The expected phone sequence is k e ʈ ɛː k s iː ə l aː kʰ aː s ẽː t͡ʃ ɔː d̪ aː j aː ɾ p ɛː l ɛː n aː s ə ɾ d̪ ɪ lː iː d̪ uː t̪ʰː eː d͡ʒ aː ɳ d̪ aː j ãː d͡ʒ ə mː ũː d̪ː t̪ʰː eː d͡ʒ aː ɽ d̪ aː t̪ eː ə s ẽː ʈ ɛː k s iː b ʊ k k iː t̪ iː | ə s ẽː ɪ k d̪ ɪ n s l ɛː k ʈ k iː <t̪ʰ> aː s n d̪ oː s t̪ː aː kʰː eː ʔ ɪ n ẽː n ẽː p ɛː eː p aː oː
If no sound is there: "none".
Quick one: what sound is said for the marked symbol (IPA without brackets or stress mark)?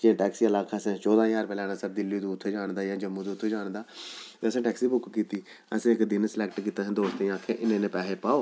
t̪